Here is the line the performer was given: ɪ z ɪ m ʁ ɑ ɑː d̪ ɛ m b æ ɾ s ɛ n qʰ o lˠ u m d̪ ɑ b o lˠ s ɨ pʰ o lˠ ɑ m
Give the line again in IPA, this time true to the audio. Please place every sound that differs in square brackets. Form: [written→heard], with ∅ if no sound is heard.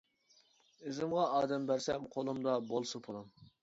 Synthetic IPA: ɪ z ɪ m ʁ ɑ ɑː d̪ ɛ m b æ ɾ s ɛ [n→m] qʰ o lˠ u m d̪ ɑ b o lˠ s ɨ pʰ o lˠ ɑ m